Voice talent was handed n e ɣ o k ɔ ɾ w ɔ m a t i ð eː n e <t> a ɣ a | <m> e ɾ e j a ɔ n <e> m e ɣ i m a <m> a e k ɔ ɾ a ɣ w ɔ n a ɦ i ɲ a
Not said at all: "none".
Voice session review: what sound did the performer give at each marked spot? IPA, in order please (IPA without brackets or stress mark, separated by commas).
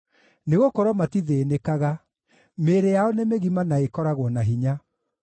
k, m, e, n